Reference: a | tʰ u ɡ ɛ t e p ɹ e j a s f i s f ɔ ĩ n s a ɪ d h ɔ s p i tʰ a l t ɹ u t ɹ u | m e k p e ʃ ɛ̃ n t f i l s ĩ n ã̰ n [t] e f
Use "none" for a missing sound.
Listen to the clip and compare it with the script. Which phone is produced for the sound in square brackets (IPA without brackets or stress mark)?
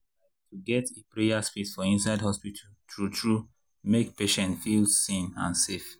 s